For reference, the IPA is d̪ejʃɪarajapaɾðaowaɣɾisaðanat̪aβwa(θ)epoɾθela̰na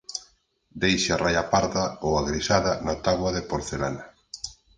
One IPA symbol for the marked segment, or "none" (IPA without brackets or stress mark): ð